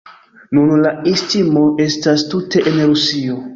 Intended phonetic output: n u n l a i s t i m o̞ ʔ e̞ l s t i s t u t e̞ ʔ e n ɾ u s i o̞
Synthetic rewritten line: n u n l a i s t i m o̞ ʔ e̞ s t a s t u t e̞ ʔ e n ɾ u s i o̞